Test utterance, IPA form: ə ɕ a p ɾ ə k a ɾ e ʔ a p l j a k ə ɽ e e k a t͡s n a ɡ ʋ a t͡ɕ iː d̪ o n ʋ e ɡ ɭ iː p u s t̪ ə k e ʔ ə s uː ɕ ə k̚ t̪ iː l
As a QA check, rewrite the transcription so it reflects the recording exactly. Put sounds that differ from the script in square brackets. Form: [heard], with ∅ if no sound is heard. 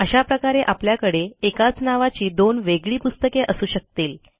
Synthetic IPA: ə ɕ a p ɾ ə k a ɾ e ʔ a p l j a k ə ɽ e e k a t͡s n a [∅] ʋ a t͡ɕ iː d̪ o n ʋ e ɡ ɭ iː p u s t̪ ə k e ʔ ə s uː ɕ ə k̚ t̪ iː l